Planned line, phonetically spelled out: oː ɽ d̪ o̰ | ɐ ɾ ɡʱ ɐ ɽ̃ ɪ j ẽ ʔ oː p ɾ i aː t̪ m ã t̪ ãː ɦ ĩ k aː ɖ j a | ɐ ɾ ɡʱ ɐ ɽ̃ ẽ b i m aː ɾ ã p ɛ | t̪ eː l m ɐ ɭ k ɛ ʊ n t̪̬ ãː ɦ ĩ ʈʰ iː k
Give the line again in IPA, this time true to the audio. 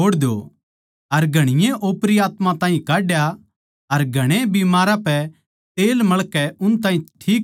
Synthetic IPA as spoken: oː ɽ d̪ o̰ | ɐ ɾ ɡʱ ɐ ɽ̃ ɪ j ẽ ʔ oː p ɾ i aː t̪ m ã t̪ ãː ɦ ĩ k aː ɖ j a | ɐ ɾ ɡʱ ɐ ɽ̃ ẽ b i m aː ɾ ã p ɛ | t̪ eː l m ɐ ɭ k ɛ ʊ n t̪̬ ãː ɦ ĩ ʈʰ iː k